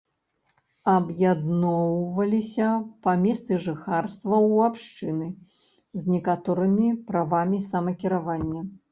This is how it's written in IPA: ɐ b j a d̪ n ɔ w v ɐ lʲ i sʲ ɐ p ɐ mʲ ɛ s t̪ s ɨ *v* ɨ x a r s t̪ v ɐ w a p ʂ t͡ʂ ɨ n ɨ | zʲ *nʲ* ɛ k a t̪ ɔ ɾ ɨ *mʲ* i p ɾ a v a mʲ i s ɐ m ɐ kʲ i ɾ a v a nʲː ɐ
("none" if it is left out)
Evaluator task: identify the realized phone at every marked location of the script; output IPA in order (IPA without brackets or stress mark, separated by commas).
ʐ, nʲ, mʲ